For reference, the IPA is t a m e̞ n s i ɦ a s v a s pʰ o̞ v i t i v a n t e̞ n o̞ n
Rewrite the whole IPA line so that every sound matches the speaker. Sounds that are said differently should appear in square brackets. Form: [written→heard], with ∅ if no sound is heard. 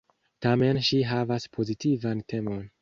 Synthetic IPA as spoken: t a m e̞ n [s→ʃ] i ɦ a [s→∅] v a s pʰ o̞ [v→z] i t i v a n t e̞ [n→m] o̞ n